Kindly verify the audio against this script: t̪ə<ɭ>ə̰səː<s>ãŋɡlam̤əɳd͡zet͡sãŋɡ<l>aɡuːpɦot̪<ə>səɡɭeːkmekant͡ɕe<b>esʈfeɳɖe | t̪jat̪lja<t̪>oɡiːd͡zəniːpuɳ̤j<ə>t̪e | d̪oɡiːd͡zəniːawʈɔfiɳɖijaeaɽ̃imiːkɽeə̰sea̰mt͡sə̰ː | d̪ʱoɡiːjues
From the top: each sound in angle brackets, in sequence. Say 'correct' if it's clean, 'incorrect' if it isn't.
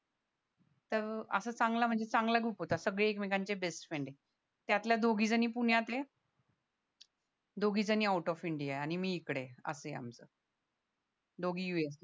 incorrect: ɾ, incorrect: t͡s, correct, incorrect: a, correct, incorrect: d̪, incorrect: a

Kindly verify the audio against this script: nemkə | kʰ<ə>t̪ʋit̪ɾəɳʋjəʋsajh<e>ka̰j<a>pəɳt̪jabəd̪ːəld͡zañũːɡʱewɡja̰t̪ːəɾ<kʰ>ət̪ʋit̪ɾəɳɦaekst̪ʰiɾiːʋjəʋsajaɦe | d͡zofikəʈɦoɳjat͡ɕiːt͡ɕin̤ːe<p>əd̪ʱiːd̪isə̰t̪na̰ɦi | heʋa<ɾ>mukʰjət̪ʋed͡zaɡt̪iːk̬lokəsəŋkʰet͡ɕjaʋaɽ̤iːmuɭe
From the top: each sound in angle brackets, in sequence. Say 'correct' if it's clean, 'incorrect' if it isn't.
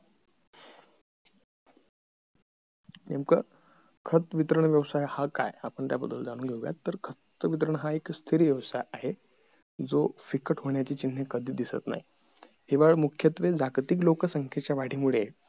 correct, incorrect: a, correct, correct, incorrect: k, incorrect: ɭ

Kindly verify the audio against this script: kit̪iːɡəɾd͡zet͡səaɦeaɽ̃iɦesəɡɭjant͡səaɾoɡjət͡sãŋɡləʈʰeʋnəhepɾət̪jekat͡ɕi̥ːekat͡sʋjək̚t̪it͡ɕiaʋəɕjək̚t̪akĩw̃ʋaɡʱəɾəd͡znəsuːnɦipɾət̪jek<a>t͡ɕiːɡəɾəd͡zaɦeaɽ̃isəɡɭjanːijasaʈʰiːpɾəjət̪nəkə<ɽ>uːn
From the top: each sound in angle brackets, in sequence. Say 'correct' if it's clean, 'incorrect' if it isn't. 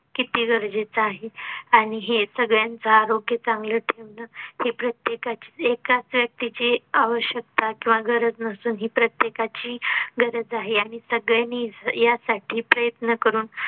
correct, incorrect: ɾ

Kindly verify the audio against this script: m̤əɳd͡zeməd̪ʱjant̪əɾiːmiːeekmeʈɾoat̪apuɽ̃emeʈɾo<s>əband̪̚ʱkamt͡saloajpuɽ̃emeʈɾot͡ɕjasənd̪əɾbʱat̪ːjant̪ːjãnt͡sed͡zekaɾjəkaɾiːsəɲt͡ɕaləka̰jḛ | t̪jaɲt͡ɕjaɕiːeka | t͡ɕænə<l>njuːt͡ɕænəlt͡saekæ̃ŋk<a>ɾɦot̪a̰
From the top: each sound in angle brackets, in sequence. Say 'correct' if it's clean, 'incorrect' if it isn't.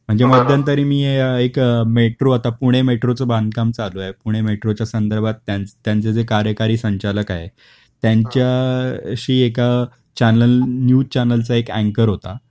incorrect: t͡s, correct, incorrect: ə

